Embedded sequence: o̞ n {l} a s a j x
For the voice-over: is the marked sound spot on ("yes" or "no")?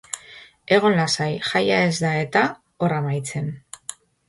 yes